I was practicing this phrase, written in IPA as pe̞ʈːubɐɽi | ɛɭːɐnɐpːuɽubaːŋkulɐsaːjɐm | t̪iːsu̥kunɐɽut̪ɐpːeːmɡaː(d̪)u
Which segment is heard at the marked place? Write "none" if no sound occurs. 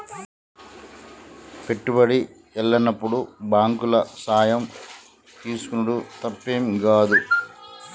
d̪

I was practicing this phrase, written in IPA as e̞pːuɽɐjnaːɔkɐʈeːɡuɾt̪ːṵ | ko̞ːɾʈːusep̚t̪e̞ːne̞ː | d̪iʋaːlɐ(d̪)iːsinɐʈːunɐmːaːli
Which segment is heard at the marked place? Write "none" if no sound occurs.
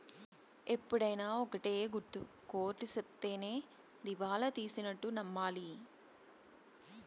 t̪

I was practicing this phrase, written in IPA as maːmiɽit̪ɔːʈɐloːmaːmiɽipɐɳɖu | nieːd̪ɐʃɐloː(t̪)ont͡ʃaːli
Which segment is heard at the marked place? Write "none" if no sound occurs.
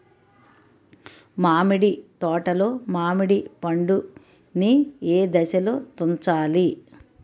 t̪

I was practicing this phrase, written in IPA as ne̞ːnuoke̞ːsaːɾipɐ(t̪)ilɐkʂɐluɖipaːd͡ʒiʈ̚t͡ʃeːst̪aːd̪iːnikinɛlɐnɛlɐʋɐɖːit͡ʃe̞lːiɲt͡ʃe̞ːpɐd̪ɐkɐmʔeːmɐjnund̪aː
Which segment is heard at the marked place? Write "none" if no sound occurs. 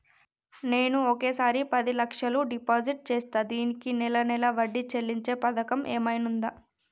d̪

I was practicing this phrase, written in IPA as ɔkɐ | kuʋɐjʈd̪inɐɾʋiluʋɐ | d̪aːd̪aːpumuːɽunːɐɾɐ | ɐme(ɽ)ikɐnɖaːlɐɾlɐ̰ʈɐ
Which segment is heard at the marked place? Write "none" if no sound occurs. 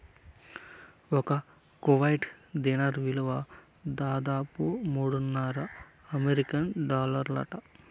ɾ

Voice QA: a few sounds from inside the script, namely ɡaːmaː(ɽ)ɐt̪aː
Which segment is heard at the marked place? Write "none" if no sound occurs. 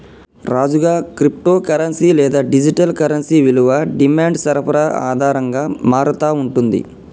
ɾ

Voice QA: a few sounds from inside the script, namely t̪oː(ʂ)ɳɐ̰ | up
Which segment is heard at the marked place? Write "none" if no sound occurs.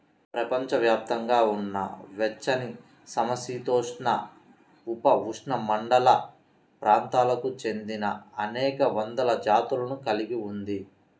ʂ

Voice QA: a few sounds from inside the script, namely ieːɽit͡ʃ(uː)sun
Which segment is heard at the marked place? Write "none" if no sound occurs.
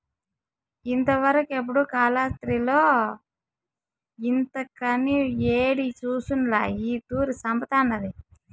uː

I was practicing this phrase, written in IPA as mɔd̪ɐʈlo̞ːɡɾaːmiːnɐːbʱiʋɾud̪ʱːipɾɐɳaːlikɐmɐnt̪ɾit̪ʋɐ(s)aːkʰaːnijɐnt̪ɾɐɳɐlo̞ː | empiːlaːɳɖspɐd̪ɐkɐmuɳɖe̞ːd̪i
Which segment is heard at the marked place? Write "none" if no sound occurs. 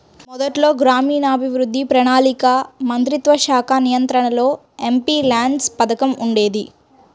ʃ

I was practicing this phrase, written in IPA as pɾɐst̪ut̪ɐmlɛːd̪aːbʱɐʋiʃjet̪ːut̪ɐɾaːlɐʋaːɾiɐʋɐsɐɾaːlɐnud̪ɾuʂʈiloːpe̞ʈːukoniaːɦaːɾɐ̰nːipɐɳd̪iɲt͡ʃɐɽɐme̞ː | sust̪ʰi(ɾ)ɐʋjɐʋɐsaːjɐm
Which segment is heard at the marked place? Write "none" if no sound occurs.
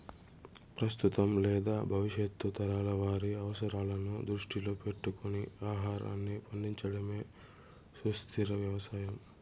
ɾ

